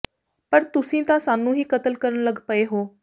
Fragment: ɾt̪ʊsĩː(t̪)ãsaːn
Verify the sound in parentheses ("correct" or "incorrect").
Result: correct